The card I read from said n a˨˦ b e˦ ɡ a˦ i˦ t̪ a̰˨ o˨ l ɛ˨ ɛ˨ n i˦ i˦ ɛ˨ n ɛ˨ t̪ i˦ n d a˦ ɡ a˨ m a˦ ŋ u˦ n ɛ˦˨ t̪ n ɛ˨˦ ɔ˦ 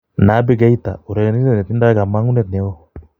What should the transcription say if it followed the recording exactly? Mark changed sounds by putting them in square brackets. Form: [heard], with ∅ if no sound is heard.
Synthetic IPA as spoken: n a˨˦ b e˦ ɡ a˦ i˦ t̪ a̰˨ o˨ [ɾ] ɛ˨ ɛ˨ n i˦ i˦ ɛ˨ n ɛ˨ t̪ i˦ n d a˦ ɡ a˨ m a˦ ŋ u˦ n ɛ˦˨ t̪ n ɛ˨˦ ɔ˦